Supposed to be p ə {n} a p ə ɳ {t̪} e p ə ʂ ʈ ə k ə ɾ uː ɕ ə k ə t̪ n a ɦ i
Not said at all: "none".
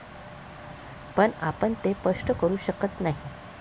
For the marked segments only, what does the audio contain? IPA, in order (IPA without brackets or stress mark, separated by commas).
ɳ, t̪